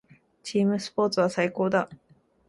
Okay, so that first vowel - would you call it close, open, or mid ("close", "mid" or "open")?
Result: close